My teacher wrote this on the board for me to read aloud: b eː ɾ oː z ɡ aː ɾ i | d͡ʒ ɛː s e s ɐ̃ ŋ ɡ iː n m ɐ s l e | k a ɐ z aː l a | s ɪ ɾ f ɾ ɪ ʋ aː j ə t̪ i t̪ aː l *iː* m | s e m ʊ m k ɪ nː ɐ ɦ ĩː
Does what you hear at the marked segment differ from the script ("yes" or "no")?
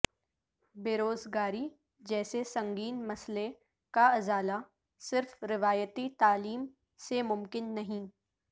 no